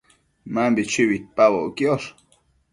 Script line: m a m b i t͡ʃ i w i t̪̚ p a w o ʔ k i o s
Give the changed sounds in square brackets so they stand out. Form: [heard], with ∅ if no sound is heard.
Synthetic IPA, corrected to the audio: m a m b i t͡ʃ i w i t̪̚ p a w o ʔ k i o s